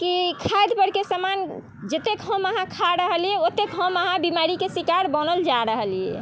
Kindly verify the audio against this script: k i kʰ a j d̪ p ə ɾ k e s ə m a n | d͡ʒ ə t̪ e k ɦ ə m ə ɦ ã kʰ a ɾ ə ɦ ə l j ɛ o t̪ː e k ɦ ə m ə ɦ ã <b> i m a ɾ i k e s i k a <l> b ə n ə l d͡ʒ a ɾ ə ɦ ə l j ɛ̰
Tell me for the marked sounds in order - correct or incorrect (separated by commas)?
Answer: correct, incorrect